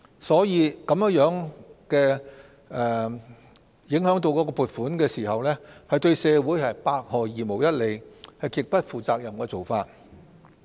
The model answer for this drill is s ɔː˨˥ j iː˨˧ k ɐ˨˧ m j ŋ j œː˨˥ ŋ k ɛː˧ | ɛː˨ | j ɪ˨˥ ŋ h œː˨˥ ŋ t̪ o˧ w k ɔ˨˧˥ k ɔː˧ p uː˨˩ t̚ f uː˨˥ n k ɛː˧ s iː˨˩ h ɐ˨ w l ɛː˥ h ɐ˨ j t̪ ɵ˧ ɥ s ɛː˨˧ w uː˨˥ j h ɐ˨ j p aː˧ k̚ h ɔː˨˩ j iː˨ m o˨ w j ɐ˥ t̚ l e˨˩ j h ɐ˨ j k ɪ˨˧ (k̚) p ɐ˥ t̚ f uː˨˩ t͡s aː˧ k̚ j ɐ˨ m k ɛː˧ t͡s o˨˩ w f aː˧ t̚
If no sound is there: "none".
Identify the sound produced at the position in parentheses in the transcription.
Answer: k̚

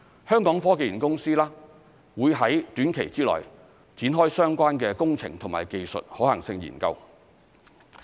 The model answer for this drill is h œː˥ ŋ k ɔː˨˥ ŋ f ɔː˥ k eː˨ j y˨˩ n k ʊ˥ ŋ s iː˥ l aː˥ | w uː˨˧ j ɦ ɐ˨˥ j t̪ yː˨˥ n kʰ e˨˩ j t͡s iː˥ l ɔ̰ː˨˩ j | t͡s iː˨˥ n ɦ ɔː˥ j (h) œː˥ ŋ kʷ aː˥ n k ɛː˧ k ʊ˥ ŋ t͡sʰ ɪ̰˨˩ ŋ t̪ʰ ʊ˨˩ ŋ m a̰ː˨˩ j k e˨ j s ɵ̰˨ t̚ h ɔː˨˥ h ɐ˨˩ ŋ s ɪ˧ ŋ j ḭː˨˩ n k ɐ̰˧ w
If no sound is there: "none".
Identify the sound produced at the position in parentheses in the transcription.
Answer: s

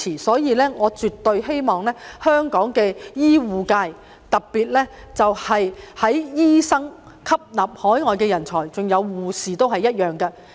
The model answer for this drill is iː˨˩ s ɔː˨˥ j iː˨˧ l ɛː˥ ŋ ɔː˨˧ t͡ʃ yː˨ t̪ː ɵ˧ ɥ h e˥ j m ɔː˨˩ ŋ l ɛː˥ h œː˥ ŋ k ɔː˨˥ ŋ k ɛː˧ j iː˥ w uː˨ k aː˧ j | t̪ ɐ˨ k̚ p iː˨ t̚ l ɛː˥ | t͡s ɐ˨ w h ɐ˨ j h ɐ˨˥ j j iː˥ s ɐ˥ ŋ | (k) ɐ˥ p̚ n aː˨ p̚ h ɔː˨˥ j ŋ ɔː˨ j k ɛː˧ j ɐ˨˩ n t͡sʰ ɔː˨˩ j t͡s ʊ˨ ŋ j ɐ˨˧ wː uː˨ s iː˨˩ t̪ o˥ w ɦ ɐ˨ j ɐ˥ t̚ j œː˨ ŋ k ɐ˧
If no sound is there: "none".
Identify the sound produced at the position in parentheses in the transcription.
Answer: kʰ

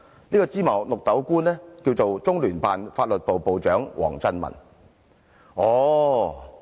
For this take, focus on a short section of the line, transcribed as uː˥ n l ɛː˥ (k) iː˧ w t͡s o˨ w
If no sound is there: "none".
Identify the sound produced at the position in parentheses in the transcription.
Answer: k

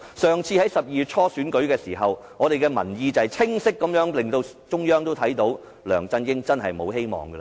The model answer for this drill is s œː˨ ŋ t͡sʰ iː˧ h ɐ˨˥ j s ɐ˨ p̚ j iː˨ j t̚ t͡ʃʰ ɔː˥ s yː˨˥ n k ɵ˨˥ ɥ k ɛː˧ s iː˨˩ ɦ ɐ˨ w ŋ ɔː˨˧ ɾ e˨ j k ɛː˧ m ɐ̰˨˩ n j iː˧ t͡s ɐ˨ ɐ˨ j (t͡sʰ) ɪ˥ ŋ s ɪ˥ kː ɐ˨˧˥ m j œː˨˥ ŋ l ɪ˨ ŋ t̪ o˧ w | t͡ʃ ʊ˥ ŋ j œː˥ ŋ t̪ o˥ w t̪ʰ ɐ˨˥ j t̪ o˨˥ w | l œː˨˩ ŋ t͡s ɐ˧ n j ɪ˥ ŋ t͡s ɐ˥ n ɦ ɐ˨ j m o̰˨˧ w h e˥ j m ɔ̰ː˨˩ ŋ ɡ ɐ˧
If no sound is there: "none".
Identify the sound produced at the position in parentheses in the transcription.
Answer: t͡sʰ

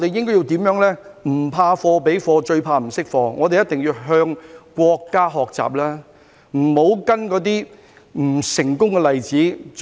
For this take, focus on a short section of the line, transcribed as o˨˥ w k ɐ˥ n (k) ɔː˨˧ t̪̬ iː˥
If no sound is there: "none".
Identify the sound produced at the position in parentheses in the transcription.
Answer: k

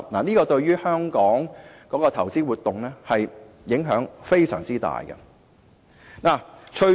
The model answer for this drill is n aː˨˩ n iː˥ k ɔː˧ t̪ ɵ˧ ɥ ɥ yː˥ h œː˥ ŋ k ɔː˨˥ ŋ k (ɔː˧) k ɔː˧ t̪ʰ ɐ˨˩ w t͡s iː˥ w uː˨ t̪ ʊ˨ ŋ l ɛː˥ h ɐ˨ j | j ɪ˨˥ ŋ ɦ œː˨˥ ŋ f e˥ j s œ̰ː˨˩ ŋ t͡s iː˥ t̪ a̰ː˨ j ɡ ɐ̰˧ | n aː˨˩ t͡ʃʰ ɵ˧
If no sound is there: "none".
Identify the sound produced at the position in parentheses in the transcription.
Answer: ɔː˨˥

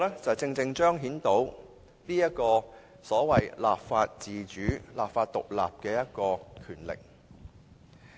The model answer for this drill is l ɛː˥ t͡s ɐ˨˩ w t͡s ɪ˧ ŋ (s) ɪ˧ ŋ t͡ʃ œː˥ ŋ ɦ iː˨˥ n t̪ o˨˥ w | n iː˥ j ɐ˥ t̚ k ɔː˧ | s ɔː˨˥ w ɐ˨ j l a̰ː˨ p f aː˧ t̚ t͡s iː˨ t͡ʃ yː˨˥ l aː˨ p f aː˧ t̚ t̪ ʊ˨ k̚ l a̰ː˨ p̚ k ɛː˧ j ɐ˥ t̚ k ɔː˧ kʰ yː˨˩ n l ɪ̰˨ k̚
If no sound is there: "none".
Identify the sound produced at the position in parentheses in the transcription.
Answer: t͡s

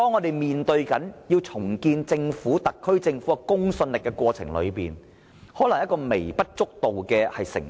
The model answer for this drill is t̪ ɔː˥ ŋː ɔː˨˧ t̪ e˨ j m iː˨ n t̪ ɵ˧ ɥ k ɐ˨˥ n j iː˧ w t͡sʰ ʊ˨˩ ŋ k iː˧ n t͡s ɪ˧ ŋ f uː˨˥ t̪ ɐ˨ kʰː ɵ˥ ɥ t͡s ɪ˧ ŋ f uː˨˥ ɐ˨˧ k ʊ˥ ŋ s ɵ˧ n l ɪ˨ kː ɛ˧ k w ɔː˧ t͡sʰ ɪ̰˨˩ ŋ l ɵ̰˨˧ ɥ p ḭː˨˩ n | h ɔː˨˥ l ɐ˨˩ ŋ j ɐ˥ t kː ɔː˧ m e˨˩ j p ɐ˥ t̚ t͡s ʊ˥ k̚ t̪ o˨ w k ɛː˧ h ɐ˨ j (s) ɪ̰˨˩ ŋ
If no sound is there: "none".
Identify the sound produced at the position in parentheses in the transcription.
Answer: s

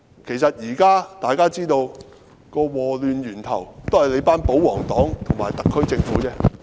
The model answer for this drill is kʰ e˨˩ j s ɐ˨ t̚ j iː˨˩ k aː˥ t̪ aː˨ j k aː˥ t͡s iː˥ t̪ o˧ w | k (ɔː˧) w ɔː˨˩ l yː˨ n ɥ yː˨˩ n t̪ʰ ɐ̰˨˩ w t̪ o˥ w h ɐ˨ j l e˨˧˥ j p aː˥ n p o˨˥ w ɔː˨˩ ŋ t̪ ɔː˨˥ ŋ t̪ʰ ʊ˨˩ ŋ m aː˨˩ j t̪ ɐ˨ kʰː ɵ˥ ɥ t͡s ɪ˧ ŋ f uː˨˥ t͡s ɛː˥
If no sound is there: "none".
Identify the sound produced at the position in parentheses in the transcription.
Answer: ɔː˧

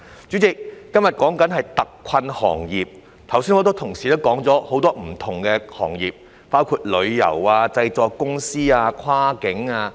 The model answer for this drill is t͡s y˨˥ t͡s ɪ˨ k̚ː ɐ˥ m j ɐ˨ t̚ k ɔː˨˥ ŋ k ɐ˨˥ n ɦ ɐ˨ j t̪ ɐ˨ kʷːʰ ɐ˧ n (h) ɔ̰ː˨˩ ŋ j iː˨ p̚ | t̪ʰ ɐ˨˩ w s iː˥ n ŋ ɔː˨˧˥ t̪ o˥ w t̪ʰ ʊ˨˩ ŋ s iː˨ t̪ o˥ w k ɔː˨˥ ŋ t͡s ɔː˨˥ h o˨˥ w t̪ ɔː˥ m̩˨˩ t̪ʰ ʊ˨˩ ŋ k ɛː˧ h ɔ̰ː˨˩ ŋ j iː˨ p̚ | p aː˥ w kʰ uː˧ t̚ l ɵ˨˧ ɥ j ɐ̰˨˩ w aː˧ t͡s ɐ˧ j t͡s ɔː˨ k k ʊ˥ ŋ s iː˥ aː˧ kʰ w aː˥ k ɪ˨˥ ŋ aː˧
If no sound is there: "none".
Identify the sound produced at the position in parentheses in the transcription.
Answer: h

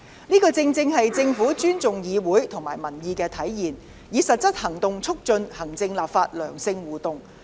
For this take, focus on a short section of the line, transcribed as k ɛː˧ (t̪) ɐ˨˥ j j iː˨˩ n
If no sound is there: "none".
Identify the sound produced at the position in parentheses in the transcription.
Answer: t̪ʰ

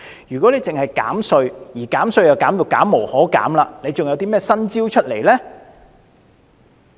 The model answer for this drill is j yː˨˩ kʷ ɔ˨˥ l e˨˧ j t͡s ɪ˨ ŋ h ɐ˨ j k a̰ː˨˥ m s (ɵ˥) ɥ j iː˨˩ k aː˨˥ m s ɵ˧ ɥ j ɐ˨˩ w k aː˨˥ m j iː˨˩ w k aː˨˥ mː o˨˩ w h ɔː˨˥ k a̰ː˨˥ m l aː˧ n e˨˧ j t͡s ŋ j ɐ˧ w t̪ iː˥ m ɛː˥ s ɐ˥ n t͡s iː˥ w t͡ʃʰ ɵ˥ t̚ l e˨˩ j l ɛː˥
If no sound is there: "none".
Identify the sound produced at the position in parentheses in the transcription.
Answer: ɵ˧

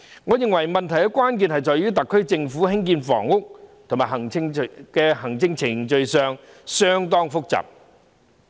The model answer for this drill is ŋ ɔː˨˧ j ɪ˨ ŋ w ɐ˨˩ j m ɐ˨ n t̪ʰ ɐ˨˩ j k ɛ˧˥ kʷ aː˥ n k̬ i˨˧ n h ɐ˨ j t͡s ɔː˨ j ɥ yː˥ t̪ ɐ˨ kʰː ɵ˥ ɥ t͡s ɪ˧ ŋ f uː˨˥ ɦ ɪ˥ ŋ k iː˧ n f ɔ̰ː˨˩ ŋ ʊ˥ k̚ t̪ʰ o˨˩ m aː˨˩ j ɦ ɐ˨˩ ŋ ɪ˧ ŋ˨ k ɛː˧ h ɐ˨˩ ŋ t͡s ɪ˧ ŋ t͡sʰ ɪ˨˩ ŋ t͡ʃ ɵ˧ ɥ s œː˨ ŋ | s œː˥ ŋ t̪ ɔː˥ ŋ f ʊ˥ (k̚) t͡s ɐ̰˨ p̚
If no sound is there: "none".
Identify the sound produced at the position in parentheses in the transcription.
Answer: k̚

